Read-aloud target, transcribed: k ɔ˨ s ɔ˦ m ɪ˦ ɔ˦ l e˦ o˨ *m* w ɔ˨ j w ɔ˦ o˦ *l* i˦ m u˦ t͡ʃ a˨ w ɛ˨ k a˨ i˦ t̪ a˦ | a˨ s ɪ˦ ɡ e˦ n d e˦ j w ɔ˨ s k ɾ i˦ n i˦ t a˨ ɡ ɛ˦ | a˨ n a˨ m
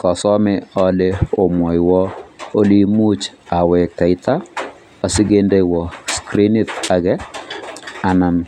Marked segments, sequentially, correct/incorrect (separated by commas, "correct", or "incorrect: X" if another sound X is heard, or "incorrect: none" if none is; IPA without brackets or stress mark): correct, correct